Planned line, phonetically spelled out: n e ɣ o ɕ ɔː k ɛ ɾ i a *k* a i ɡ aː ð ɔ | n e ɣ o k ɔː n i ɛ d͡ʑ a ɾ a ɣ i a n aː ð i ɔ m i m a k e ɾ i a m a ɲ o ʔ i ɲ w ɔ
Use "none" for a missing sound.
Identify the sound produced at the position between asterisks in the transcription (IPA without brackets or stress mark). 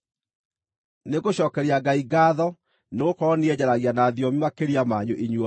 ɡ